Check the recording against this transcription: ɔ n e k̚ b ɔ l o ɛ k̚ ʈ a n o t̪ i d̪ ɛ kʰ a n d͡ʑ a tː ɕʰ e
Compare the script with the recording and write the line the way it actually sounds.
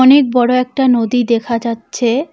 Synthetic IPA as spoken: ɔ n e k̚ b ɔ ɽ o ɛ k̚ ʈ a n o d̪ i d̪ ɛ kʰ a d͡ʑ a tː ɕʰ e